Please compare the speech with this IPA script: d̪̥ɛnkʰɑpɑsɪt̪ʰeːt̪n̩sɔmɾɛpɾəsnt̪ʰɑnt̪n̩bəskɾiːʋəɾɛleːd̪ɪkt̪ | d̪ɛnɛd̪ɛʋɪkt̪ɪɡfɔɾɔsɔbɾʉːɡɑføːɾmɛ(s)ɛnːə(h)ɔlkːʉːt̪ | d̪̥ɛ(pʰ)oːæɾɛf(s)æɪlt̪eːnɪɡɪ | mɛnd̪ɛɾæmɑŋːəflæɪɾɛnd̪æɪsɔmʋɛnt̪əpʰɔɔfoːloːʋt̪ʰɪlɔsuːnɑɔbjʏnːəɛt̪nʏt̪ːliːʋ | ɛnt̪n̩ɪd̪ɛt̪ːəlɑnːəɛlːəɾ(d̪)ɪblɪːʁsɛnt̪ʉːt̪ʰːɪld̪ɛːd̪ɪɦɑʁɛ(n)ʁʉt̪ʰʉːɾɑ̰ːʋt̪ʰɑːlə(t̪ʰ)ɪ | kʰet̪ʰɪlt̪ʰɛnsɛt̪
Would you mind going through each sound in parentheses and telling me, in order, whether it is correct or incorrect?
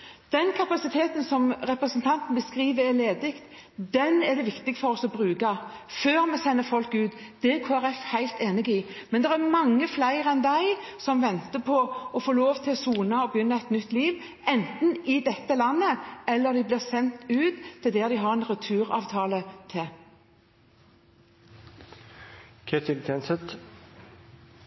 correct, incorrect, incorrect, incorrect, correct, correct, correct

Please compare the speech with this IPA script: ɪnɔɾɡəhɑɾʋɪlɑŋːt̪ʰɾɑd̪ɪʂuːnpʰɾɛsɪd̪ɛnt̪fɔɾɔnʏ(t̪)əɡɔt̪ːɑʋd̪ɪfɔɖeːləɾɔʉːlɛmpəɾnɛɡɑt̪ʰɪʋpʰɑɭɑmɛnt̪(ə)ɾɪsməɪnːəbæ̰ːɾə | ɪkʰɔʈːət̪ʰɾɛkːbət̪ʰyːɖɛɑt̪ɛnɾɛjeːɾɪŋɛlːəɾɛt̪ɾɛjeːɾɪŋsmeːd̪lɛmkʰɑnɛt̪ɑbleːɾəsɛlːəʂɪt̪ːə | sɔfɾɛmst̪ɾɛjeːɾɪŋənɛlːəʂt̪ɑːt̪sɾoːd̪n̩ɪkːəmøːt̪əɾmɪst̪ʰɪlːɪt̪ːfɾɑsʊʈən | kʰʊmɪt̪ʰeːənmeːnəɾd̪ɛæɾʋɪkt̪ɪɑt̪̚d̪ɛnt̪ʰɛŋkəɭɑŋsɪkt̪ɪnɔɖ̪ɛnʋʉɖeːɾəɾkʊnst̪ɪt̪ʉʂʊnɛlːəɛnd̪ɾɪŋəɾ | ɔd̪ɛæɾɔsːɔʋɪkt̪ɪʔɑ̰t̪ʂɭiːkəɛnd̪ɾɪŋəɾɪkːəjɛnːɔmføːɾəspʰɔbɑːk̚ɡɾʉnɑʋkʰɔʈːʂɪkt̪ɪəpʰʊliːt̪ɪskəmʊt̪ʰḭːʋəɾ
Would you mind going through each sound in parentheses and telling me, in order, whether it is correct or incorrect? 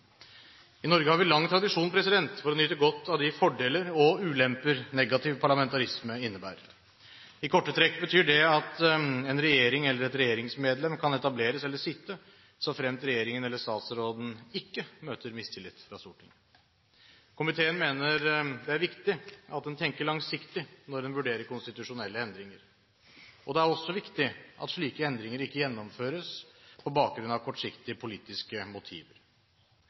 correct, incorrect

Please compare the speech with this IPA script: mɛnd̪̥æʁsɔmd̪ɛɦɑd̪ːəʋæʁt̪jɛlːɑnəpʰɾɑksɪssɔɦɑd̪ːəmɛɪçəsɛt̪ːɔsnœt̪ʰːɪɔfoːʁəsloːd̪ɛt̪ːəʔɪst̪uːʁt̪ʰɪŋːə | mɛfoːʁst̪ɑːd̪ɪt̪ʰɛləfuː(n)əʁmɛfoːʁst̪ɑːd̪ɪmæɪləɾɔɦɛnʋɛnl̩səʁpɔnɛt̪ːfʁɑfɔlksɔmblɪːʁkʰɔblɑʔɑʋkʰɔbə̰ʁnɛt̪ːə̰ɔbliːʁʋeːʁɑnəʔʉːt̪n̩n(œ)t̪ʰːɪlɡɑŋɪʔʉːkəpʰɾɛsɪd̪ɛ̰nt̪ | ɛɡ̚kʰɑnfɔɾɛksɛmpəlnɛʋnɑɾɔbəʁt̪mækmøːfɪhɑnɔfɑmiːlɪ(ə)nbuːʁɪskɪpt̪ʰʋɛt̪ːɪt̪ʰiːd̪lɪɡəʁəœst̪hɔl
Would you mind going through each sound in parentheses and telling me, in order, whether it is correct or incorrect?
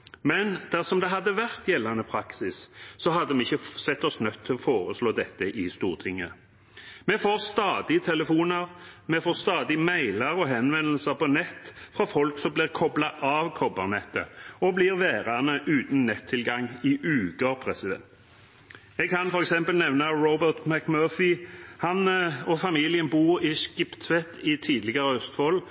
correct, incorrect, correct

